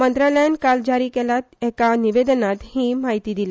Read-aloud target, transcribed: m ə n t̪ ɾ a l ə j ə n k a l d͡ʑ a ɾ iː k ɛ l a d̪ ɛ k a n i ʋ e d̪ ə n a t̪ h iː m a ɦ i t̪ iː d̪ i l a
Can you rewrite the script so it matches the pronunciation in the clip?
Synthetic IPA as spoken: m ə n t̪ ɾ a l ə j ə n k a l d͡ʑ a ɾ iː k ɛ l a t̪ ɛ k a n i ʋ e d̪ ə n a t̪ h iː m a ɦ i t̪ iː d̪ i l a